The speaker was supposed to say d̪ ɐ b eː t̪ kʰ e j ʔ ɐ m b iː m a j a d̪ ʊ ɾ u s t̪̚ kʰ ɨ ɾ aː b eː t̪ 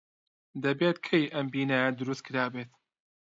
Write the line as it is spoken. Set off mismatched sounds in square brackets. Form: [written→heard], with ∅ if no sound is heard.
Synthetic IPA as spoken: d̪ ɐ b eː t̪ kʰ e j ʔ ɐ m b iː [m→n] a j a d̪ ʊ ɾ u s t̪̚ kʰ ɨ ɾ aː b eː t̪